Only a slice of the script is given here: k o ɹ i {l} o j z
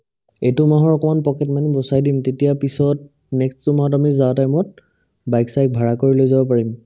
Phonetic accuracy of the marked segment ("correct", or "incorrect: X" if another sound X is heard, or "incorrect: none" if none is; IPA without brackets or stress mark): correct